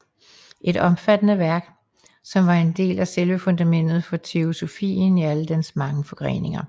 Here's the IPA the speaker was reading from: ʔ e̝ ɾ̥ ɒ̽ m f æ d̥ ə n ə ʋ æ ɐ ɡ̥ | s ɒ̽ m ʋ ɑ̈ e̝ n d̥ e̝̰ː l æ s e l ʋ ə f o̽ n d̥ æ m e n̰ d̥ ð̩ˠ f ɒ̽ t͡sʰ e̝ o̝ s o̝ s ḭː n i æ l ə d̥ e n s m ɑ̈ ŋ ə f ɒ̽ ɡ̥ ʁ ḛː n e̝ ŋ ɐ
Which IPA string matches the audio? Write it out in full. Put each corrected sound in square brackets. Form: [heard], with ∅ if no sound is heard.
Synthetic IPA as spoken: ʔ e̝ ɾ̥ ɒ̽ m f æ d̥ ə n ə ʋ æ ɐ ɡ̥ | s ɒ̽ m ʋ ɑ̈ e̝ n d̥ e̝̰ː l æ s e l ʋ ə f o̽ n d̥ æ m e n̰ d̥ ð̩ˠ f ɒ̽ t͡sʰ e̝ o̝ s o̝ [f] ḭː n i æ l ə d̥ e n s m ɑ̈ ŋ ə f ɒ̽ ɡ̥ ʁ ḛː n e̝ ŋ ɐ